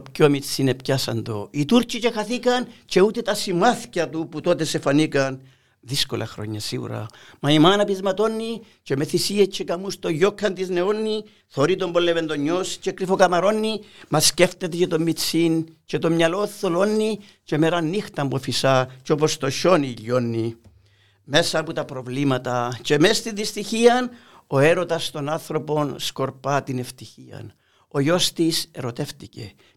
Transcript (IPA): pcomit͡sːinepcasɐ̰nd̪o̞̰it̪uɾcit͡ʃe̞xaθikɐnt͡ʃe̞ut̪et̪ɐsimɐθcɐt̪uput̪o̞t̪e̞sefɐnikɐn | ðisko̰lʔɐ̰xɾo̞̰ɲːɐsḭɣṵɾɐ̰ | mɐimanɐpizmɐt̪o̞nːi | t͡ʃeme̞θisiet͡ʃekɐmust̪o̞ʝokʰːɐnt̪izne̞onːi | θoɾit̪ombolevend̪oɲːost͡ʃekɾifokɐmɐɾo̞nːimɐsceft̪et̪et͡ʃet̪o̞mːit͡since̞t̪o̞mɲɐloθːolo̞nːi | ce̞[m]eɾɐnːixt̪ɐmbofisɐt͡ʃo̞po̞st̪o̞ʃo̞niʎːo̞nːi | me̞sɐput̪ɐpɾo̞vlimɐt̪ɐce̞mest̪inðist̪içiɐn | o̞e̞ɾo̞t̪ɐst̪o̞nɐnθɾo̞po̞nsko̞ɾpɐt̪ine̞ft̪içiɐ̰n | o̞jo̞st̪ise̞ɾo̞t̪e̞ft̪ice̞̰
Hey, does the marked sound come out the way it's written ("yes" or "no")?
yes